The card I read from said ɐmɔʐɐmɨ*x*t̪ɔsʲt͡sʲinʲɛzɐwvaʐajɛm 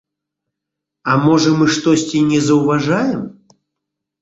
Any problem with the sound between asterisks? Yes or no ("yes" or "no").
yes